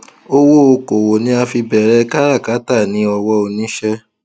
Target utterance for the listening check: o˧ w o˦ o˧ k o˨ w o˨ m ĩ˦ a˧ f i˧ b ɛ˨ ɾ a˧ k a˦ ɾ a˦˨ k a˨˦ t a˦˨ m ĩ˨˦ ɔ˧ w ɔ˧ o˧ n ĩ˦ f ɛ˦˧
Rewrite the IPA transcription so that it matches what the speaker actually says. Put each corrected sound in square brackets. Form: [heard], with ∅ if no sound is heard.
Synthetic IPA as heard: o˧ w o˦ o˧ k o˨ w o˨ [n] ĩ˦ a˧ f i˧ b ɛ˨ ɾ [ɛ˧] k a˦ ɾ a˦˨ k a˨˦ t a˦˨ [n] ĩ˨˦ ɔ˧ w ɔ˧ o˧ n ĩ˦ [ʃ] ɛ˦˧